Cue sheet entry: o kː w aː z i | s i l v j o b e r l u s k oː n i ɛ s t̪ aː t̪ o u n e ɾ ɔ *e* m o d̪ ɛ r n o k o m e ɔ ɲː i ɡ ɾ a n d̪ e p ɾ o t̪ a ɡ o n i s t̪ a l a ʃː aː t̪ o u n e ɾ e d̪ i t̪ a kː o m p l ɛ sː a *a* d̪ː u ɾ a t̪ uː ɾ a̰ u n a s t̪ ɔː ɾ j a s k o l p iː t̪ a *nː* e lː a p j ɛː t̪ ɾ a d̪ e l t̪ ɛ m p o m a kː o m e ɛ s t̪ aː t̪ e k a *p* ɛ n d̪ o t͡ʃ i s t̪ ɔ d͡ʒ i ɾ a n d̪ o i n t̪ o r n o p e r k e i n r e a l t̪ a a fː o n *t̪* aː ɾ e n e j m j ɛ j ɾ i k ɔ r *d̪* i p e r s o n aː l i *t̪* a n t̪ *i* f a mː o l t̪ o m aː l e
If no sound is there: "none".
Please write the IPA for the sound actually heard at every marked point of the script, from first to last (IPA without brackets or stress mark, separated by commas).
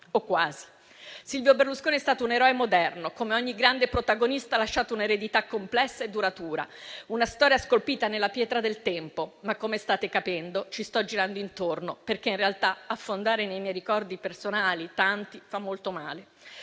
e, e, n, p, d̪, d̪, t̪, i